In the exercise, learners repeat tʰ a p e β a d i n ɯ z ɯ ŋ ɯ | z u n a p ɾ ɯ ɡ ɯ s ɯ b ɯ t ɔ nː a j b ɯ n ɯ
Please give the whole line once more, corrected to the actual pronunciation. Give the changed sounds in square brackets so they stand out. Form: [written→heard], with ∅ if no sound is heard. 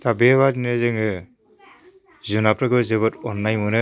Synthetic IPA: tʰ a [p→b] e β a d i n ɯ z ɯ ŋ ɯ | z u n a p ɾ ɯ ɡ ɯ [s→z] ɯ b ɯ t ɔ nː a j [b→m] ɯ n ɯ

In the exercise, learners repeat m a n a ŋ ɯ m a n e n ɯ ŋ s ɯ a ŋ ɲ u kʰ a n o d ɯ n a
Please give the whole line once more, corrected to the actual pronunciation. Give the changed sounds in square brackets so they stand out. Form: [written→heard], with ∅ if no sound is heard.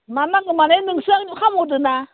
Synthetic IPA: m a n a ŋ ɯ m a n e n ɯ ŋ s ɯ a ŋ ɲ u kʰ a [n→m] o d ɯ n a

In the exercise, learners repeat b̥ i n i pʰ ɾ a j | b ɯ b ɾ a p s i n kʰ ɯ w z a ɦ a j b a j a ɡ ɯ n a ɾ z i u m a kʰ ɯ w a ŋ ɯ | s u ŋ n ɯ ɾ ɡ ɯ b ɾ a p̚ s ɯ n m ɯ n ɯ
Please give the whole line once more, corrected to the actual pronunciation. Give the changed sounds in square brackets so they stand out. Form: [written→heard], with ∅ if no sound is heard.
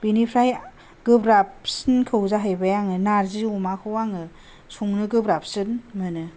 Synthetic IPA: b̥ i n i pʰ ɾ a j | [b→ɡ] ɯ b ɾ a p s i n kʰ ɯ w z a ɦ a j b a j a [ɡ→ŋ] ɯ n a ɾ z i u m a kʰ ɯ w a ŋ ɯ | s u ŋ n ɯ [ɾ→∅] ɡ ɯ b ɾ a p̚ s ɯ n m ɯ n ɯ

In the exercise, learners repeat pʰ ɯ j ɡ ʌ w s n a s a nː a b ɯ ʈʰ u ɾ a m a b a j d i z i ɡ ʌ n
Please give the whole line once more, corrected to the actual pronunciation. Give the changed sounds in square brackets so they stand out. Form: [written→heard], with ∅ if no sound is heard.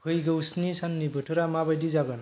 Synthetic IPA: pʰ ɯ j ɡ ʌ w s n [a→i] s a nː [a→i] b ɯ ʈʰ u ɾ a m a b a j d i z [i→a] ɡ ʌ n

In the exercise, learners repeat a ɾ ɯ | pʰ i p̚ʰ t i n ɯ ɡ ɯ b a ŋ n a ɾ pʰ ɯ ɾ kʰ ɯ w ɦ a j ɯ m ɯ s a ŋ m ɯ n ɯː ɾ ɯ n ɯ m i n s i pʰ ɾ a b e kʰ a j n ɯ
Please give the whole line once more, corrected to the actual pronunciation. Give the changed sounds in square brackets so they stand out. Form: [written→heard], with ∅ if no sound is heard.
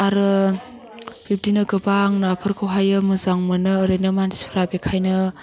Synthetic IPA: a ɾ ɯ | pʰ i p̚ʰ t i n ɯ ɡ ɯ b a ŋ n a [ɾ→∅] pʰ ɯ ɾ kʰ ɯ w ɦ a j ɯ m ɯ [s→z] a ŋ m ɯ n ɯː ɾ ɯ n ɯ m [i→a] n s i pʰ ɾ a b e kʰ a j n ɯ

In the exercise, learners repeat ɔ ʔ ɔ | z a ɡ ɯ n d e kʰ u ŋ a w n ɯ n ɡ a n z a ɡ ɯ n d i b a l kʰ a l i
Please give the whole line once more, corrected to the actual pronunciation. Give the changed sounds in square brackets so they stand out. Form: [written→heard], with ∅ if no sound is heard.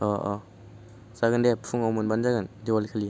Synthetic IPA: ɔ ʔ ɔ | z a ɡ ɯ n d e [kʰ→pʰ] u ŋ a w [n→m] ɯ n [ɡ→b] a n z a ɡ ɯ n d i [b→w] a l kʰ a l i

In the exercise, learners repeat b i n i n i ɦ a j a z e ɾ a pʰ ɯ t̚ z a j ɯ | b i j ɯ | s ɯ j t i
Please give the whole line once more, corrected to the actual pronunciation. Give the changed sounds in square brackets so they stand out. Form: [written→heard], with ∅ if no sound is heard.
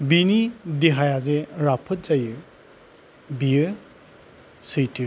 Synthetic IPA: b i n i [n→d] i ɦ a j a z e ɾ a pʰ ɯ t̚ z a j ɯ | b i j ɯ | s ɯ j t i

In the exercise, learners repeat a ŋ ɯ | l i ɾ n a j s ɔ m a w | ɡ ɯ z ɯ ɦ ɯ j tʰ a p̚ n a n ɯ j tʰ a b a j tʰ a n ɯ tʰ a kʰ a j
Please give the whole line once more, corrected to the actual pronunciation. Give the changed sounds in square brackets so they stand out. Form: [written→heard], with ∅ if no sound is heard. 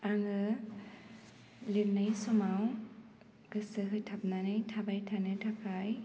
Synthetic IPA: a ŋ ɯ | l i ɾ n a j s ɔ m a w | ɡ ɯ [z→s] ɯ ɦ ɯ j tʰ a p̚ n a n ɯ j tʰ a b a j tʰ a n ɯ tʰ a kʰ a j

